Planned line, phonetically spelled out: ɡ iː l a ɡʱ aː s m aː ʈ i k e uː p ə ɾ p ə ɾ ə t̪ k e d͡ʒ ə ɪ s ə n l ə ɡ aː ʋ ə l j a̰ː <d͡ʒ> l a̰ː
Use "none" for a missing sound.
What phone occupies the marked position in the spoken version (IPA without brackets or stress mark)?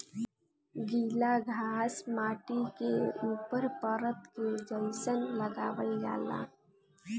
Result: none